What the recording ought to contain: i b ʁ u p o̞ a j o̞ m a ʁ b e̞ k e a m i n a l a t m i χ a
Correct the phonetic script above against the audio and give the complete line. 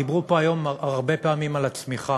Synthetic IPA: i b ʁ u p o̞ a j o̞ m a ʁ b e̞ p e a m i m a l a t͡s m i χ a